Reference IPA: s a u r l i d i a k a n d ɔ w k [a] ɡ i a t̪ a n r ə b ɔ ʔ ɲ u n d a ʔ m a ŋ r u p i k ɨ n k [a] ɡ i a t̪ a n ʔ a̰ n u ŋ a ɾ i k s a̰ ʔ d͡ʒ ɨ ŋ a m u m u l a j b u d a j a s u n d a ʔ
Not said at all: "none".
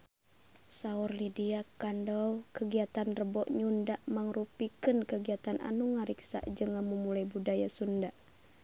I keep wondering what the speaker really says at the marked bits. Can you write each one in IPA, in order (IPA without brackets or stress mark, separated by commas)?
ə, ə